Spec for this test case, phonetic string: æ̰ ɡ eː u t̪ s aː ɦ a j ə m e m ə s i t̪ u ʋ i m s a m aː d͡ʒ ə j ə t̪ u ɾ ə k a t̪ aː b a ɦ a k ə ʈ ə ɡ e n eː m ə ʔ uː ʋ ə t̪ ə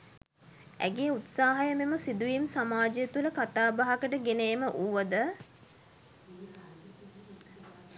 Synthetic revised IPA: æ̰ ɡ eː u t̪ s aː ɦ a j ə m e m ə s i d̪ u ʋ i m s a m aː d͡ʒ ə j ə t̪ u l ə k a t̪ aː b a ɦ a k ə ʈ ə ɡ e n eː m ə ʔ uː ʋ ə d̪ ə

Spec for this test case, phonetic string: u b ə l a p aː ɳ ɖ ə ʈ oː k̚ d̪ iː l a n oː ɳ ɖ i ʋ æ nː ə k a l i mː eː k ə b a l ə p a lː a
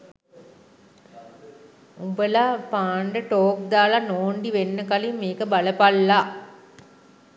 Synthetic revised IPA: u b ə l a p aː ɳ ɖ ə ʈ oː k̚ d̪ aː l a n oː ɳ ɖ i ʋ e nː ə k a l i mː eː k ə b a l ə p a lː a

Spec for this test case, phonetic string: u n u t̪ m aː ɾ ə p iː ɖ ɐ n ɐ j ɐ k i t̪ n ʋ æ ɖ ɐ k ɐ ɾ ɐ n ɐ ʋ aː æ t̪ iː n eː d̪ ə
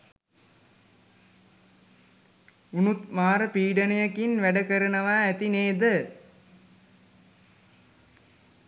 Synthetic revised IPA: u n u t̪ m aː ɾ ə p iː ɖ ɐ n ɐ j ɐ k i n ʋ æ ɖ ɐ k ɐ ɾ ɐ n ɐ ʋ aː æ t̪ i n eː d̪ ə

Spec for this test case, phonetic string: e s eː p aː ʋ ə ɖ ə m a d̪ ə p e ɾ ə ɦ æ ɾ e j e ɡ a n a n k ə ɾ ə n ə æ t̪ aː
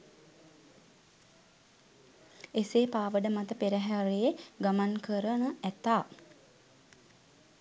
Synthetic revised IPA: e s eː p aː ʋ ə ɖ ə m a t̪ ə p e ɾ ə ɦ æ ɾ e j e ɡ a m a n k ə ɾ ə n ə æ t̪ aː

